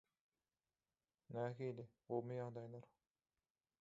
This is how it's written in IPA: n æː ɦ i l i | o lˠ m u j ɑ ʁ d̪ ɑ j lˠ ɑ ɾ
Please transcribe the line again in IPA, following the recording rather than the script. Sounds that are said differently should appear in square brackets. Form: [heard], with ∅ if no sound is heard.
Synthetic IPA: n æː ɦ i l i | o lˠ m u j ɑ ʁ d̪ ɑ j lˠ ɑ ɾ